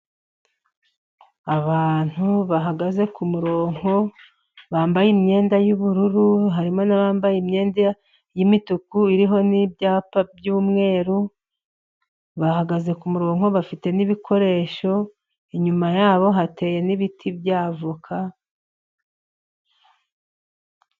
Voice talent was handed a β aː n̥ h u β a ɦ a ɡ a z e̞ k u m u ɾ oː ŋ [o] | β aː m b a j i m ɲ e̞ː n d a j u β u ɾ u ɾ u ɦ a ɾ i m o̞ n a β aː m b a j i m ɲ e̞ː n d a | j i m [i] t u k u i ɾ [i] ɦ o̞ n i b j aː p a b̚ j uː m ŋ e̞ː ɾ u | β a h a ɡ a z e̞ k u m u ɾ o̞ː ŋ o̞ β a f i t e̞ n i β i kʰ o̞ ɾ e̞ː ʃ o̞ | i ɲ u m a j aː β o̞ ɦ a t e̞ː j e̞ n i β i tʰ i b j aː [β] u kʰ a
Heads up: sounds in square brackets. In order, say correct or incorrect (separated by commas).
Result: correct, correct, correct, incorrect